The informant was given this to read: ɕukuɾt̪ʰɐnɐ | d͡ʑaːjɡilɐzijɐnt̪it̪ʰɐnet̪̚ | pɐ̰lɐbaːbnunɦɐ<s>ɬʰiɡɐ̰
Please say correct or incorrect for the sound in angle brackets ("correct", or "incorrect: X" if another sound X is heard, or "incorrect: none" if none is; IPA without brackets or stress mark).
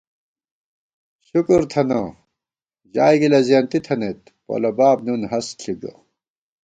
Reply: correct